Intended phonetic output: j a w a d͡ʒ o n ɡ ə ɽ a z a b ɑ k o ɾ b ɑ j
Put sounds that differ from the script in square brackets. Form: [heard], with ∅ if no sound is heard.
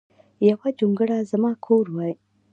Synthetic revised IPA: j a w a d͡ʒ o [ŋ] ɡ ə ɽ a z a [m] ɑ [kʰ] o ɾ [w] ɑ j